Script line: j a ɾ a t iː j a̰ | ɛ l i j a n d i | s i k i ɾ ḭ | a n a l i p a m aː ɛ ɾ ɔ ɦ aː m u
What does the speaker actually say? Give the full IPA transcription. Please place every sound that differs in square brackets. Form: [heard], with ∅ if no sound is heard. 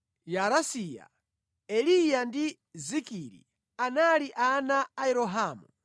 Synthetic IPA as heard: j a ɾ a [s] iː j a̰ | ɛ l i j a n d i | [z] i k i ɾ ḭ | a n a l i [ʔ] a [n] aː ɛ ɾ ɔ ɦ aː m u